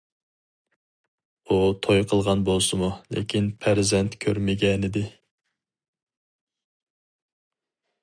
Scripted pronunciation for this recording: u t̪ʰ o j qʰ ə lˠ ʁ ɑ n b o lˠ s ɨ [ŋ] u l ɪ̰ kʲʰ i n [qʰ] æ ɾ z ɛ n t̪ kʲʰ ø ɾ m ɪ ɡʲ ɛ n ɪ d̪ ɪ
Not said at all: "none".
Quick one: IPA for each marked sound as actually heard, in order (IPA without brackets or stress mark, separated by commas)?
m, pʰ